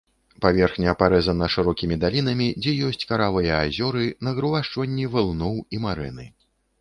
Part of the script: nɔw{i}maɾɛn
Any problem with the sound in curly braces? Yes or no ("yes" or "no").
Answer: no